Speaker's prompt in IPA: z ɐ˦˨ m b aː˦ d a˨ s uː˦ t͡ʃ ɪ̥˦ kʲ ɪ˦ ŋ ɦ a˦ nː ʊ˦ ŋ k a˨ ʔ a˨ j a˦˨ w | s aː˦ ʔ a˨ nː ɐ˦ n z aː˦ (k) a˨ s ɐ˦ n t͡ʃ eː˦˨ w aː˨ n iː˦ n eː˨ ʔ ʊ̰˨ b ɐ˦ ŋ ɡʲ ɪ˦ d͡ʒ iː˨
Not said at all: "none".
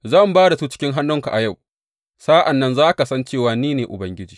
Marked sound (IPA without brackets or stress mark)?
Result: k